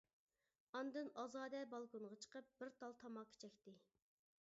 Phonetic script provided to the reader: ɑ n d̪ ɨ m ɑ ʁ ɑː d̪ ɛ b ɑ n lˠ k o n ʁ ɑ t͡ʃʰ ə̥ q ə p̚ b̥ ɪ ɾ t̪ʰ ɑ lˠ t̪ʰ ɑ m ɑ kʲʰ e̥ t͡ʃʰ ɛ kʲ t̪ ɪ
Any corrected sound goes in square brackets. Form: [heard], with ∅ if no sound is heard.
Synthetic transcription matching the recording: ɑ n d̪ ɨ [n] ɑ [z] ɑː d̪ ɛ b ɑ [∅] lˠ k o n ʁ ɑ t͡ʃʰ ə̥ q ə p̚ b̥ ɪ ɾ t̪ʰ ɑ lˠ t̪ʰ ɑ m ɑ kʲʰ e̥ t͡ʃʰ ɛ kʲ t̪ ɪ